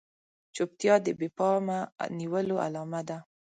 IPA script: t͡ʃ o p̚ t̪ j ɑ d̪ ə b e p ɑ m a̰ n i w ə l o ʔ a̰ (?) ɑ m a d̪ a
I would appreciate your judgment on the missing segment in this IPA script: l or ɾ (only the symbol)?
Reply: l